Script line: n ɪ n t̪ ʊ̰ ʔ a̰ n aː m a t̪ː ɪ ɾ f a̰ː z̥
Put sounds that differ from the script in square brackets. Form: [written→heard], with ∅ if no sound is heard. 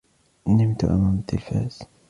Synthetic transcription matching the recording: n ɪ [n→m] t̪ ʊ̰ ʔ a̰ [n→m] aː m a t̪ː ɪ [ɾ→l] f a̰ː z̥